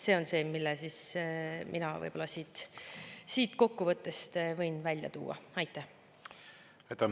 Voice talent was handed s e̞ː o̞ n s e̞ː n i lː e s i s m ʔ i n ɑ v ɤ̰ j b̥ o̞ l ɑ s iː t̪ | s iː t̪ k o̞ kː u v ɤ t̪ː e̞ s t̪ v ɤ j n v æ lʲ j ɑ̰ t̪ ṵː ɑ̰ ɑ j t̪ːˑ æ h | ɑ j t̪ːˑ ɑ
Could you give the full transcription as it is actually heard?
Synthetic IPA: s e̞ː o̞ n s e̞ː m i lː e s i s m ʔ i n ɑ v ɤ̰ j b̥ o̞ l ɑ s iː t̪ | s iː t̪ k o̞ kː u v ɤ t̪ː e̞ s t̪ v ɤ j n v æ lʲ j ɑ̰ t̪ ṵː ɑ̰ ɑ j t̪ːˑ æ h | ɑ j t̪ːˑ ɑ